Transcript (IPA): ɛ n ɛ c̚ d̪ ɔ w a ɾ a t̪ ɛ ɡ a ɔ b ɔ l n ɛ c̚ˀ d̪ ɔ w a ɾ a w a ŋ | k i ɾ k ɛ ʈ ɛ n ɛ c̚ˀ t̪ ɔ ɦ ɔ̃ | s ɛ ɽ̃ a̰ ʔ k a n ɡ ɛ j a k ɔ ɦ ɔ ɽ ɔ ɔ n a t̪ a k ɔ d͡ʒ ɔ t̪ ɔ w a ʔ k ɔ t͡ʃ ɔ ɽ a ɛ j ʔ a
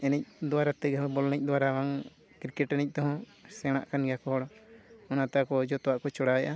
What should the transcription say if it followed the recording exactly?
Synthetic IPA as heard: ɛ n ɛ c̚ d̪ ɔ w a ɾ a t̪ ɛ ɡ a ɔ b ɔ l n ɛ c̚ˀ d̪ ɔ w a ɾ a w a ŋ | k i ɾ k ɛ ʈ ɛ n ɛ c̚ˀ t̪ ɔ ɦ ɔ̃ | s ɛ ɽ̃ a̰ ʔ k a n ɡ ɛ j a k ɔ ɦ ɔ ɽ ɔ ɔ n a t̪ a k ɔ d͡ʒ ɔ t̪ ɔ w a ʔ k ɔ t͡ʃ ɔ ɽ a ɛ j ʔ a